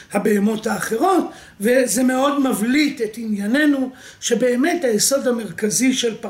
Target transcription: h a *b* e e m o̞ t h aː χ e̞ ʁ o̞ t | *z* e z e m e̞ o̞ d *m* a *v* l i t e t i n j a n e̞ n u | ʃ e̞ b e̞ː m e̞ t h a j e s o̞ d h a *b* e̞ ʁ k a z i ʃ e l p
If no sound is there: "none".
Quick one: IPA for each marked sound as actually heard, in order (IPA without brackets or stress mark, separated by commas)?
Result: b, v, m, v, m